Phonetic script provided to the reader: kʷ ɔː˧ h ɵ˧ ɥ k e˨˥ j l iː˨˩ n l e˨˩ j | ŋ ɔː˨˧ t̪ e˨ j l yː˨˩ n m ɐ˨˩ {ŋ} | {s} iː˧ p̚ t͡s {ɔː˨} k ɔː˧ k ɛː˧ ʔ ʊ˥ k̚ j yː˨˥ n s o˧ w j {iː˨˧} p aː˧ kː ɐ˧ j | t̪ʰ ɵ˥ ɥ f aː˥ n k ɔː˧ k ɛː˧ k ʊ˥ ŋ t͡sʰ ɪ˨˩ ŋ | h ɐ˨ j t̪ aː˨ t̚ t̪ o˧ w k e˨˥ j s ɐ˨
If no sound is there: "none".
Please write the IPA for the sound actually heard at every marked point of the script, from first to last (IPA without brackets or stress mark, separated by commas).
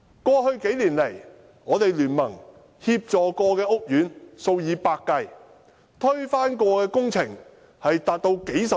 ŋ, h, ɔː˨, iː˨˧